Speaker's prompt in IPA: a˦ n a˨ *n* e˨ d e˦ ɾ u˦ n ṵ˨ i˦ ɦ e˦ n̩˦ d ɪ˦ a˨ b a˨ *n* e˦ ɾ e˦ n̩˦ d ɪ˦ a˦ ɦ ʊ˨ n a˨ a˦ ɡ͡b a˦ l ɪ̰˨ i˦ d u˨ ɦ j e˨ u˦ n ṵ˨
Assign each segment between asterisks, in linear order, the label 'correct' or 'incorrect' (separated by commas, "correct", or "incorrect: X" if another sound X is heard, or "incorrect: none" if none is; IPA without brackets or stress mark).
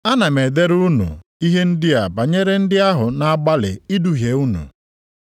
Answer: incorrect: m, incorrect: ɲ